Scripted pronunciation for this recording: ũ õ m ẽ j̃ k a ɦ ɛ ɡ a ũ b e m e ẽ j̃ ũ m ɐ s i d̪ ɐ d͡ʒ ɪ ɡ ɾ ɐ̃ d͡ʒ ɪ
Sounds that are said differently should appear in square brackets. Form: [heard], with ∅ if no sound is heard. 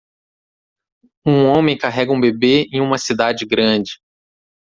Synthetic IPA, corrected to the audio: ũ õ m ẽ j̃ k a ɦ ɛ ɡ [ɐ] ũ b e [b] e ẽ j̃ ũ m ɐ s i d̪ [a] d͡ʒ ɪ ɡ ɾ ɐ̃ d͡ʒ ɪ